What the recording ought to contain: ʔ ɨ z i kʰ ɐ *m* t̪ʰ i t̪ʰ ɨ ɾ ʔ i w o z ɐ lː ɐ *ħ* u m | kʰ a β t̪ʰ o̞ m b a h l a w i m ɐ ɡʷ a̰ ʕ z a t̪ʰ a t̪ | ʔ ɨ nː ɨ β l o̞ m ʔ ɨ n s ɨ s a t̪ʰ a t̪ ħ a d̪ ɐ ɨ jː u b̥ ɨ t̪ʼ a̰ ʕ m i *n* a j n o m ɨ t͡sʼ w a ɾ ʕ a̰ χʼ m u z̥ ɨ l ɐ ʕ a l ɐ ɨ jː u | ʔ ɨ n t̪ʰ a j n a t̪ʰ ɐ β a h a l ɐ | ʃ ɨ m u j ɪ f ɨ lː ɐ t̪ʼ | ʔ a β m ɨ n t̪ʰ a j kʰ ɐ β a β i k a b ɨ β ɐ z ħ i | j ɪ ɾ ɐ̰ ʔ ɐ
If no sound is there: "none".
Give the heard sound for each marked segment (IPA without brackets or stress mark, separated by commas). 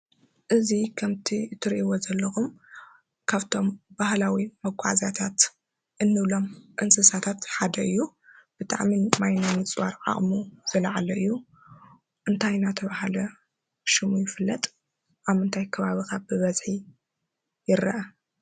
m, x, m